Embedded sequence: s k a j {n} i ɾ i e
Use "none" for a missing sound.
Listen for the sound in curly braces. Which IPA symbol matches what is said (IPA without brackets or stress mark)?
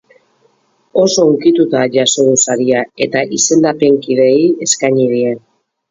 ɲ